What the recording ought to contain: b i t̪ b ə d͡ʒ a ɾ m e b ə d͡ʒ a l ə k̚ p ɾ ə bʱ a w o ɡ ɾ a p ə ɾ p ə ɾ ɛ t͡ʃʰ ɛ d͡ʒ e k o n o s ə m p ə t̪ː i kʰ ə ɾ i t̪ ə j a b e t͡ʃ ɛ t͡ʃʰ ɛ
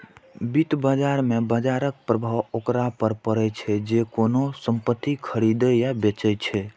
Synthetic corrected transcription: b i t̪ b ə d͡ʒ a ɾ m e b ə d͡ʒ a ɾ ə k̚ p ɾ ə bʱ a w o k ɾ a p ə ɾ p ə ɾ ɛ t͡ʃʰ ɛ d͡ʒ e k o n o s ə m p ə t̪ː i kʰ ə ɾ i d̪ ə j a b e t͡ʃ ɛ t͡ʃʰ ɛ